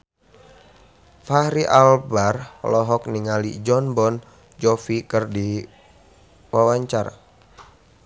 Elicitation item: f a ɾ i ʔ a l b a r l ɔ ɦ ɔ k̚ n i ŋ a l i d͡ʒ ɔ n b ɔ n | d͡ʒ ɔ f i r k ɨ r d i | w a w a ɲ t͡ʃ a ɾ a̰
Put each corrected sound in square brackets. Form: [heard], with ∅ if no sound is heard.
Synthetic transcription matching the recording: f a ɾ i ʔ a l b a r l ɔ ɦ ɔ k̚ n i ŋ a l i d͡ʒ ɔ n b ɔ n | d͡ʒ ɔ f i [∅] k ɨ r d i | w a w a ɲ t͡ʃ a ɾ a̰